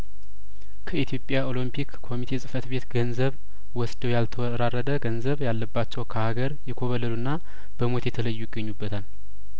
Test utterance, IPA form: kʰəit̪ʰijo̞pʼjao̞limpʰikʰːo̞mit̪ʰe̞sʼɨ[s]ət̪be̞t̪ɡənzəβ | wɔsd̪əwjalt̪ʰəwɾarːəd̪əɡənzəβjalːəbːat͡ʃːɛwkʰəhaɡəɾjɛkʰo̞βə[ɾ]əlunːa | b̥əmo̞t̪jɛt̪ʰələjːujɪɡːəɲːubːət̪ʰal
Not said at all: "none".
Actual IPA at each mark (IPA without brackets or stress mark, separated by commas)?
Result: f, l